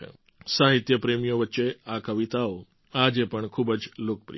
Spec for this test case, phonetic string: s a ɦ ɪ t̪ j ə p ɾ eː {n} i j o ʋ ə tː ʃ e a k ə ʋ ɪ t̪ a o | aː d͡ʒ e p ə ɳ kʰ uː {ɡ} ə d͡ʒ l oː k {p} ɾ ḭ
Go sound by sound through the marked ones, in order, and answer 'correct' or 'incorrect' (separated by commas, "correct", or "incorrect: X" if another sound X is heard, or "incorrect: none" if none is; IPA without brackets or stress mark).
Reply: incorrect: m, incorrect: b, correct